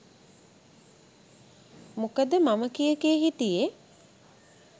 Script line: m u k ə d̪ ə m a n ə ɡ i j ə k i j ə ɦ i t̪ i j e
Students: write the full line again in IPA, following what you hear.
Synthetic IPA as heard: m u k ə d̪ ə m a m ə k i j ə k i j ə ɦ i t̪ i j e